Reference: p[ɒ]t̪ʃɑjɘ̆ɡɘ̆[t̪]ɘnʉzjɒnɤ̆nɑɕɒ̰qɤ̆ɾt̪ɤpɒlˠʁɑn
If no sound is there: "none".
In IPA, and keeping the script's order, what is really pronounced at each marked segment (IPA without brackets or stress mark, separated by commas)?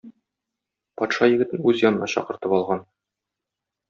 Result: ɒ, t̪